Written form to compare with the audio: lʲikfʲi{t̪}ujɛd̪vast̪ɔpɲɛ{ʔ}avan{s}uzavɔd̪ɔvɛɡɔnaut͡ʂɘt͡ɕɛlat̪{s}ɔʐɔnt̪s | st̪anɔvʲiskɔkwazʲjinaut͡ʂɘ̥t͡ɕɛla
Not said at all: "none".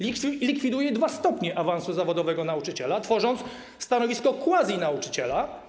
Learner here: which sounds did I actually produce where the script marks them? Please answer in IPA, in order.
d̪, ʔ, s, f

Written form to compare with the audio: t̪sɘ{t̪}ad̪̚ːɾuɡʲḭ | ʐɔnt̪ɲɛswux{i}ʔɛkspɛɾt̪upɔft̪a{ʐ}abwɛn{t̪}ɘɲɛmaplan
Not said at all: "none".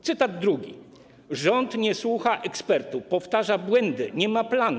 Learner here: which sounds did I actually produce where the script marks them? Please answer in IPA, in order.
t̪, a, ʐ, d̪

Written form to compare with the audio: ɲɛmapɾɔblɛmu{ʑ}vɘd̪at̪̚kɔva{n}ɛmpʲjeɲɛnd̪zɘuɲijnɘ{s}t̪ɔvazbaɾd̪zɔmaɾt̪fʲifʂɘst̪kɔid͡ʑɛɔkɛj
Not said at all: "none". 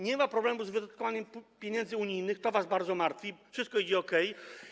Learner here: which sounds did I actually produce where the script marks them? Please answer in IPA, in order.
z, ɲ, x

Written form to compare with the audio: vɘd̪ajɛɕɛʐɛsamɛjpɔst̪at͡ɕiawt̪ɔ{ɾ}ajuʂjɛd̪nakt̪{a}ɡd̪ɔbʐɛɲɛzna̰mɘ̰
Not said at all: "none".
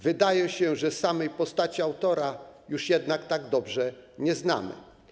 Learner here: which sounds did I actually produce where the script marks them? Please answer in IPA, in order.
ɾ, a

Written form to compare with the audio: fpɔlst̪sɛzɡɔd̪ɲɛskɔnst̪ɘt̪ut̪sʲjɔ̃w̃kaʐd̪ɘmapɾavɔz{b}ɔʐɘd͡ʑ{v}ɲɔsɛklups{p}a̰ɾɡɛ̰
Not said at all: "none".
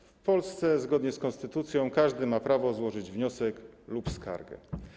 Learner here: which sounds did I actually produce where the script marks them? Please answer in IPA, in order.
w, v, k

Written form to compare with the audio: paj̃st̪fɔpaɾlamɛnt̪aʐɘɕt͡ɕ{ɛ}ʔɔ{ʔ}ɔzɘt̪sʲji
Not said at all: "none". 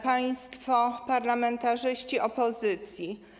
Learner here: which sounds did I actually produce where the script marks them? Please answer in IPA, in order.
i, p

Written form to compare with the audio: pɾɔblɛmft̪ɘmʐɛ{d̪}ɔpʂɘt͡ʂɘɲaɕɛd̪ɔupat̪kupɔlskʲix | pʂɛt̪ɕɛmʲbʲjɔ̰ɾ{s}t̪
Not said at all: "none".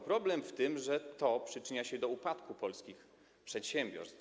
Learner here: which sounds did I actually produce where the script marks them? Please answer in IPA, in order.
t̪, s

